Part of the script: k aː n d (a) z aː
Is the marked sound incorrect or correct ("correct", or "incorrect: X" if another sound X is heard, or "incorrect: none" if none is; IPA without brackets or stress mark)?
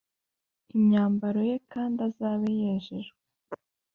correct